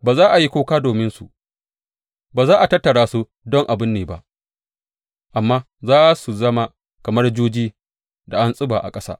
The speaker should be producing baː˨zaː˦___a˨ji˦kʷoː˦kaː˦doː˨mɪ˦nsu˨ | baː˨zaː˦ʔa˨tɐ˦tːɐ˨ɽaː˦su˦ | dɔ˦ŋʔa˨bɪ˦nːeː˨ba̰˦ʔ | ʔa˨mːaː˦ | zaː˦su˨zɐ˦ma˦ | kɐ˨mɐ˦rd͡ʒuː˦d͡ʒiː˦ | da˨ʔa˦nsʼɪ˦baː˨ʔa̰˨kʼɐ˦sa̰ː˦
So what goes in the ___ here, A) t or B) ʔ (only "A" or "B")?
B